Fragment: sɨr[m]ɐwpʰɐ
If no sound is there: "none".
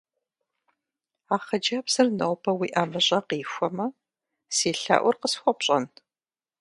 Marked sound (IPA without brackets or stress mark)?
n